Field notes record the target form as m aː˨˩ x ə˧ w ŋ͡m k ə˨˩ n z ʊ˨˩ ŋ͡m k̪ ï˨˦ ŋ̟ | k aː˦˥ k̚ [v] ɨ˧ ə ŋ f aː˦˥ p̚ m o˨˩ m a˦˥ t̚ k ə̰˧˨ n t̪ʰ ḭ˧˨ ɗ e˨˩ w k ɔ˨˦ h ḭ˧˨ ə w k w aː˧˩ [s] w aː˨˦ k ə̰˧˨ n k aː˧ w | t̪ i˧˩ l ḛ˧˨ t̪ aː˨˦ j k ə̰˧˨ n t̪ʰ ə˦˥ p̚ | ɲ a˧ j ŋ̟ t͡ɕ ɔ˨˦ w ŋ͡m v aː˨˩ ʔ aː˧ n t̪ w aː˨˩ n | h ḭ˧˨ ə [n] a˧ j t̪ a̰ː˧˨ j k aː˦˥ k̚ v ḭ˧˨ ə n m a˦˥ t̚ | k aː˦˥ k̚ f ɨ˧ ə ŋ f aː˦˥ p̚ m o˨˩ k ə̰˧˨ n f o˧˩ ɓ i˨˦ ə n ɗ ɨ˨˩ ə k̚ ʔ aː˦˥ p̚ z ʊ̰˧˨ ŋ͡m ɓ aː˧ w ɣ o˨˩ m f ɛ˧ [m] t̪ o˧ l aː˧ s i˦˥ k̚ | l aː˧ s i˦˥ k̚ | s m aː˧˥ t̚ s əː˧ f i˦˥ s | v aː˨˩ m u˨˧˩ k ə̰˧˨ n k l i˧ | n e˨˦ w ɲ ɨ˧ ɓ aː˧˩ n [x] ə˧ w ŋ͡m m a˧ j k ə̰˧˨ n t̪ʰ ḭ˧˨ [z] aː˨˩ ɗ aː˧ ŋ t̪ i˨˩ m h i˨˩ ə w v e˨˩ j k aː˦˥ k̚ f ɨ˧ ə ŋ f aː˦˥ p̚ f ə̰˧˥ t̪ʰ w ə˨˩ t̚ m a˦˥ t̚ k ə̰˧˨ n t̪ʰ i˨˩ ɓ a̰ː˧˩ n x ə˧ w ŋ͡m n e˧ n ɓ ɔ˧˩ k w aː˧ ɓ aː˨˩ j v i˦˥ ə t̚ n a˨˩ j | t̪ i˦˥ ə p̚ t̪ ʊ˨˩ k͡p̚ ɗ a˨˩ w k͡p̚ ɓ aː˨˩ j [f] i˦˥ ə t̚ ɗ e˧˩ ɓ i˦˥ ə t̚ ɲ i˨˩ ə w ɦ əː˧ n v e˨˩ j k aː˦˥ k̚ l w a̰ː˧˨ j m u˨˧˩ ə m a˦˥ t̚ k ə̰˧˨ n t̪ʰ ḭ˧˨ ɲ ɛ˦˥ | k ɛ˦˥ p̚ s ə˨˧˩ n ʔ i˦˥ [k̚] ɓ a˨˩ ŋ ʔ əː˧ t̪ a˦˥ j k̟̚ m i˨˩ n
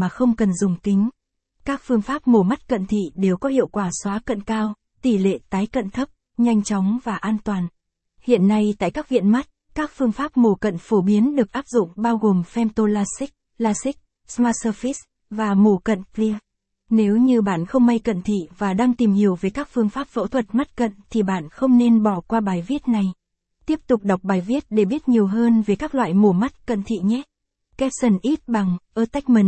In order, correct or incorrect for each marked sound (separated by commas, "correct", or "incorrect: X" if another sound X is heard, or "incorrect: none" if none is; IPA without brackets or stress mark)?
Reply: incorrect: f, correct, incorrect: nː, correct, correct, incorrect: v, incorrect: v, incorrect: t̚